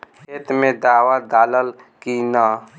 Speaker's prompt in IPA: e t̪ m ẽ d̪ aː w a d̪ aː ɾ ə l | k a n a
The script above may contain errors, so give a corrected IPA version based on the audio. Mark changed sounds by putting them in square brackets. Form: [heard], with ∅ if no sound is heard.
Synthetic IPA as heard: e t̪ m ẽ d̪ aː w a d̪ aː [l] ə l | k [i] n a